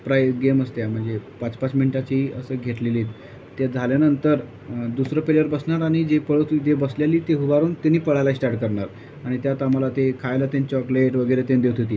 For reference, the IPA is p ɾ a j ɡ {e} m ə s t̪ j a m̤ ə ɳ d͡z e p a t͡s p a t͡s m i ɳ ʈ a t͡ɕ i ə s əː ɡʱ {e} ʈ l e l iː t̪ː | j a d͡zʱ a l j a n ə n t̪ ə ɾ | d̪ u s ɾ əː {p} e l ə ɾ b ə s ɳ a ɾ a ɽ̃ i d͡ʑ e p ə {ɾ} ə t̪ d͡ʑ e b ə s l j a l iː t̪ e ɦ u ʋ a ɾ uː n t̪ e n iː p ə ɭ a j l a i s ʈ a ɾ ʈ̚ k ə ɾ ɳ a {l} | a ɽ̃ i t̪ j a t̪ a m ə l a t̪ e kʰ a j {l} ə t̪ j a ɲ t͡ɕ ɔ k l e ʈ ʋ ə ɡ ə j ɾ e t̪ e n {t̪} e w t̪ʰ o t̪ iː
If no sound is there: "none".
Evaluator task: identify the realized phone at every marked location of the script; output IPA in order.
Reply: e, e, p, ɭ, ɾ, l, d̪

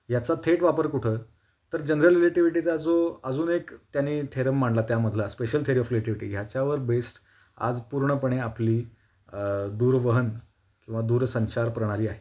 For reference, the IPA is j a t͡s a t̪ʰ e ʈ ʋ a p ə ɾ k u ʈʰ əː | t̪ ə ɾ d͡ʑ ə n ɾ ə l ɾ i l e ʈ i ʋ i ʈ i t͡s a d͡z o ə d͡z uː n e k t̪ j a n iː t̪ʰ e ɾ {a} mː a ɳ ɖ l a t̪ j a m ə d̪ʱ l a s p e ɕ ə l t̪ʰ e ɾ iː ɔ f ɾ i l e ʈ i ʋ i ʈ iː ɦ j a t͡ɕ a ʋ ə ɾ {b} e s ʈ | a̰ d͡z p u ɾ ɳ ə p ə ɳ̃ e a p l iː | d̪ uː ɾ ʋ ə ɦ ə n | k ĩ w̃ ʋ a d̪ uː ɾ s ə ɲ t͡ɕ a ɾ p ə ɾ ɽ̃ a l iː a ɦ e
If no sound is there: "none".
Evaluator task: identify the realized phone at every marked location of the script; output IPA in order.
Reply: ə, b

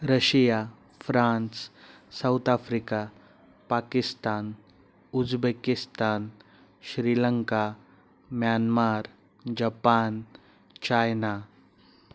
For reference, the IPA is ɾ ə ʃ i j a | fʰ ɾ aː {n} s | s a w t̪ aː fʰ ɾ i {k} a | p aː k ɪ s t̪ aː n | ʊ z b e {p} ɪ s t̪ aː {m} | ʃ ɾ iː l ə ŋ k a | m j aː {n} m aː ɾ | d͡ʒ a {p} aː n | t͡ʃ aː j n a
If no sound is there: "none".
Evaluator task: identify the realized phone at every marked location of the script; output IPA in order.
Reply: n, k, k, n, n, p

